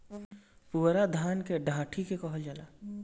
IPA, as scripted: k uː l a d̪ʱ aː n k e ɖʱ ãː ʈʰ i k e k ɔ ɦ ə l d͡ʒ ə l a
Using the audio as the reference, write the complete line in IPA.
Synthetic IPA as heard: p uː ɾ a d̪ʱ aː n k e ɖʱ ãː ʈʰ i k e k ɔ ɦ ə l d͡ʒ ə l a